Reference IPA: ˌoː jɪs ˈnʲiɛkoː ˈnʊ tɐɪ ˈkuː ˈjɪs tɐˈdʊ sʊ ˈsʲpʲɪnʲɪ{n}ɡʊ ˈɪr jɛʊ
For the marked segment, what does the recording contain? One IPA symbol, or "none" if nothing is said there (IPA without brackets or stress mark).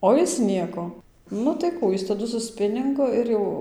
ŋ